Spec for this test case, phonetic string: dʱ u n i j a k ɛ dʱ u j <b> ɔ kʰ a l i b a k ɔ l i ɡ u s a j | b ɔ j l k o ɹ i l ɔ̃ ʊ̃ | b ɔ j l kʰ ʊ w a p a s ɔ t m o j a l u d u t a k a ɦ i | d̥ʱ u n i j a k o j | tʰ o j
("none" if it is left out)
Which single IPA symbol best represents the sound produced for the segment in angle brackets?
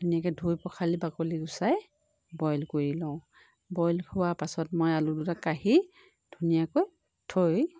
p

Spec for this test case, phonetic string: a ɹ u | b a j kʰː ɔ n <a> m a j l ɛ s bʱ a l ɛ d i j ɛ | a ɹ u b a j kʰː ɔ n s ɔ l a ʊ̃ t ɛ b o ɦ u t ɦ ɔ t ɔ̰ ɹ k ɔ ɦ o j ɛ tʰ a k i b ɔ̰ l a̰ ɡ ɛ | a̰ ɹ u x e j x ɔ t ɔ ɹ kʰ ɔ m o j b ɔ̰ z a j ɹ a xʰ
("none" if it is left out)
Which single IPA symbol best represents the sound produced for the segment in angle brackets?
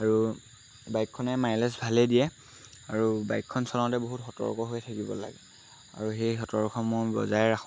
ɛ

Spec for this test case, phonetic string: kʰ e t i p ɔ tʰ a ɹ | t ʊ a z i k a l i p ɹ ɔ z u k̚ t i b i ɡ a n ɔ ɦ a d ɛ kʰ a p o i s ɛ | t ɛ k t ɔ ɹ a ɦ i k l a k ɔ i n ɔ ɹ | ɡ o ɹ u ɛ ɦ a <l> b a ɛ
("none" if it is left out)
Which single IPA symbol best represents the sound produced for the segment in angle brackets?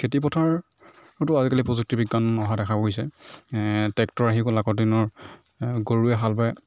l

